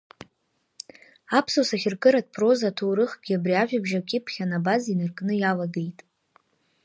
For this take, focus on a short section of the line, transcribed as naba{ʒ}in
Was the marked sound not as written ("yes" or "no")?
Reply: yes